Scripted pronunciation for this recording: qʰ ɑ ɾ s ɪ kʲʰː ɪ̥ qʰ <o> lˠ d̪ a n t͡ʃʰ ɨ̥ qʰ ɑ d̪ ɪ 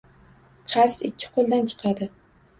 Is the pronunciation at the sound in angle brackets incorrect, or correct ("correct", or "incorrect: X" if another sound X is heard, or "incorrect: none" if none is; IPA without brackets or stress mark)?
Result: correct